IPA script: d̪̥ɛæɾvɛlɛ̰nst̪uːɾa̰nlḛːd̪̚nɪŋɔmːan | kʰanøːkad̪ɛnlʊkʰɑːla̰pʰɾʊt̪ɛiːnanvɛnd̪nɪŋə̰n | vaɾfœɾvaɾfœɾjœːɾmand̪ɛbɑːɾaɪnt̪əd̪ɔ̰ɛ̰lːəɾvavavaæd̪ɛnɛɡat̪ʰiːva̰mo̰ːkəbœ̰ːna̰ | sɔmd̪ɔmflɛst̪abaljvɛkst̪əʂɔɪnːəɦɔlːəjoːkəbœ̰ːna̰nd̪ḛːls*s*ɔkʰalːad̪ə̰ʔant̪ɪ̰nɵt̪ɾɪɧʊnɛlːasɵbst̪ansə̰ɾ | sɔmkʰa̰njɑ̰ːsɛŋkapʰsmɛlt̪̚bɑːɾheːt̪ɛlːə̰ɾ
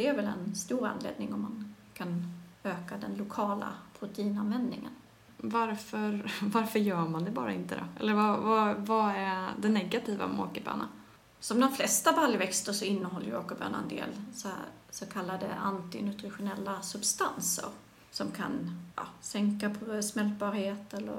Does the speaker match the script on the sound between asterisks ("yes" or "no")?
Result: yes